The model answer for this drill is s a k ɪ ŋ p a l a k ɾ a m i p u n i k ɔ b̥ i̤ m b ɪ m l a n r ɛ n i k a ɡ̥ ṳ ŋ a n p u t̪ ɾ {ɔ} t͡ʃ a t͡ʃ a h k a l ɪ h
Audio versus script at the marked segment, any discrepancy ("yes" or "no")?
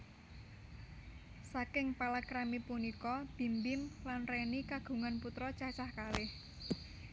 no